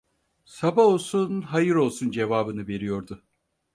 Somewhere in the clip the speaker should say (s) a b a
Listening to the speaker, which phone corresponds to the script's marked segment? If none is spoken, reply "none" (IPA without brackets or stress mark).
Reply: s